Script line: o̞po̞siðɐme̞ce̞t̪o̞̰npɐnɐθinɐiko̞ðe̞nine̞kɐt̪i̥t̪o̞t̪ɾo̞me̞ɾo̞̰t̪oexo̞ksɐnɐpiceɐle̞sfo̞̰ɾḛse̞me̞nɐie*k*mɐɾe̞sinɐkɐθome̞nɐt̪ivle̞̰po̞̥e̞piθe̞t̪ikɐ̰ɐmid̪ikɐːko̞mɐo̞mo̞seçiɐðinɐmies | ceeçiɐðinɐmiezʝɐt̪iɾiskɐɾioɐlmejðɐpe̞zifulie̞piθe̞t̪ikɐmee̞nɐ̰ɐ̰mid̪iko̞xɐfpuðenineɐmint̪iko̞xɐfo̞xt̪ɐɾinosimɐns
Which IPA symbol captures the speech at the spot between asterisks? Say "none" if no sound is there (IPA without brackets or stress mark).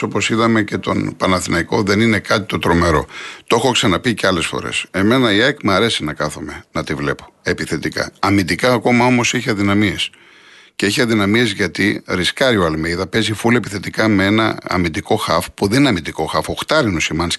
k